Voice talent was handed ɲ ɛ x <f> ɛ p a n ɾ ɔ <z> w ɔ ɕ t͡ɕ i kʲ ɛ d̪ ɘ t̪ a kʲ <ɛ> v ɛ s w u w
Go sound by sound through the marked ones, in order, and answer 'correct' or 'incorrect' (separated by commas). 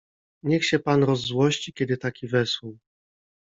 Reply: incorrect, incorrect, incorrect